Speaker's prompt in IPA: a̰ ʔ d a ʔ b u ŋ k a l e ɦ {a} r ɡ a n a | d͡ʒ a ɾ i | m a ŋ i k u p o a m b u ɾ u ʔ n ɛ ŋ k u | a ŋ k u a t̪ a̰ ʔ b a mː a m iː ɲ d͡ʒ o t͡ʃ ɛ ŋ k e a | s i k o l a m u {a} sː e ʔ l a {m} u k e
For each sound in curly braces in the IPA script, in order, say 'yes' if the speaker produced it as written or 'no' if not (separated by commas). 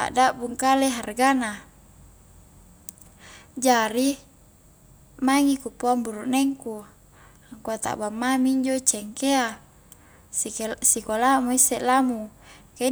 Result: yes, no, yes